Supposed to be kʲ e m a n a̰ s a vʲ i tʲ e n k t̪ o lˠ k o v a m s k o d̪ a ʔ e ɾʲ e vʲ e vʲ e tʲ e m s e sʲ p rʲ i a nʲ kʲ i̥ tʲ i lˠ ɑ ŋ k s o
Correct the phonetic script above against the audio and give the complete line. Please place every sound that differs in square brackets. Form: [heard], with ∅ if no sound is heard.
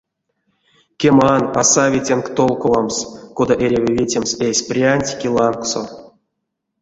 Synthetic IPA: kʲ e m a n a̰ s a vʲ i tʲ e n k t̪ o lˠ k o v a m s k o d̪ a ʔ e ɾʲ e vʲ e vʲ e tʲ e m s e sʲ p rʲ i a nʲ [tʲ] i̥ [kʲ] i lˠ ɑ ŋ k s o